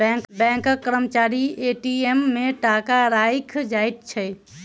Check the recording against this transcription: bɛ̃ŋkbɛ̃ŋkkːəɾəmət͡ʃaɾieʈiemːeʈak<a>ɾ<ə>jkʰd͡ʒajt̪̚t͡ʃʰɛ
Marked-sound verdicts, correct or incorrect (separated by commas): correct, incorrect